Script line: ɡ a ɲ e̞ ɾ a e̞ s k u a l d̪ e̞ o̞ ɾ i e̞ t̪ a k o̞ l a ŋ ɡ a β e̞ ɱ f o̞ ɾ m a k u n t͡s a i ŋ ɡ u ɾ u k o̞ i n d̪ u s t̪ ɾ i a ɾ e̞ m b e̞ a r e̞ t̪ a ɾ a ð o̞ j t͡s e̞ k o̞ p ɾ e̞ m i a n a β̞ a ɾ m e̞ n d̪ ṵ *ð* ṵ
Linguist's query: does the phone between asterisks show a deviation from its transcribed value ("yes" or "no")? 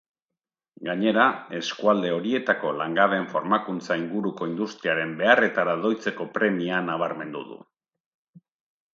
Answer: no